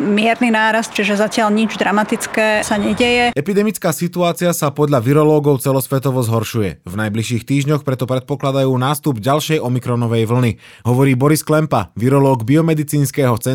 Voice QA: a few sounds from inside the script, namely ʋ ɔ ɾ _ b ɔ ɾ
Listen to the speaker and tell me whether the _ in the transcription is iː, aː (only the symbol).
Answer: iː